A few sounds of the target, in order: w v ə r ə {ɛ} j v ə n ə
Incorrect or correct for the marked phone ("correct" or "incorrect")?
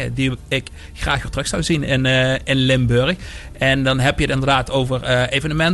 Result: incorrect